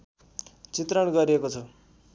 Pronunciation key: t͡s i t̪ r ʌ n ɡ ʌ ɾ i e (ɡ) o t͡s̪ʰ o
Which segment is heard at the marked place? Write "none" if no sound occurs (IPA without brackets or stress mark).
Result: k